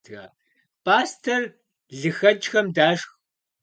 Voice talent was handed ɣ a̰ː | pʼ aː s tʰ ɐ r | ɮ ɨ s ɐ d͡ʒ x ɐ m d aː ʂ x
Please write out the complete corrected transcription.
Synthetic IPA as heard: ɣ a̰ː | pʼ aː s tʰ ɐ r | ɮ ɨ x ɐ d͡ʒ x ɐ m d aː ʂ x